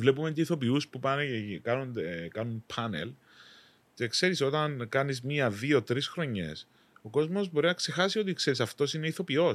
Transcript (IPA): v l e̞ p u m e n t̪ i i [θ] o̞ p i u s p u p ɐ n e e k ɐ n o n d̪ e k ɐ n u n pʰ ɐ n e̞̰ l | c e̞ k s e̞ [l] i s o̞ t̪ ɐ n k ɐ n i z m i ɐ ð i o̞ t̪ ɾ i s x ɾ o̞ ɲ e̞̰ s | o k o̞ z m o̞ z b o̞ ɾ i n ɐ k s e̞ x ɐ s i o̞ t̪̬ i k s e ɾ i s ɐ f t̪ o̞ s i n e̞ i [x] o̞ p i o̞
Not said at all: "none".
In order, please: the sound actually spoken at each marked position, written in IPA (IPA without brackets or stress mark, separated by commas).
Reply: θ, ɾ, θ